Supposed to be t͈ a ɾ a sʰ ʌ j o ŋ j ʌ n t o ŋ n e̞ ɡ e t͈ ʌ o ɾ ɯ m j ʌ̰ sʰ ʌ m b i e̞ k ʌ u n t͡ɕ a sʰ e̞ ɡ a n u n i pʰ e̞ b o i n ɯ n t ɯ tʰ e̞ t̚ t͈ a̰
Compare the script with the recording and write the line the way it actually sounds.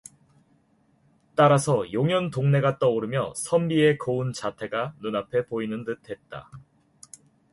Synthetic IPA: t͈ a ɾ a sʰ ʌ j o ŋ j ʌ n t o ŋ n e̞ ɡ a t͈ ʌ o ɾ ɯ m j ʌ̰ sʰ ʌ m b i e̞ k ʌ u n t͡ɕ a tʰ e̞ ɡ a n u n a pʰ e̞ p o i n ɯ n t ɯ tʰ e̞ t̚ t͈ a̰